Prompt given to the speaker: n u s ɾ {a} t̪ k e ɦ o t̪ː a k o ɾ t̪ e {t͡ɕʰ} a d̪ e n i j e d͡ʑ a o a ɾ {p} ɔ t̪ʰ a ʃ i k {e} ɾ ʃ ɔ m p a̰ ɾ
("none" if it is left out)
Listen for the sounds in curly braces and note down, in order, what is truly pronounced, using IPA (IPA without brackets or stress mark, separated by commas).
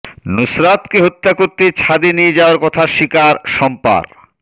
a, t͡ɕʰ, k, a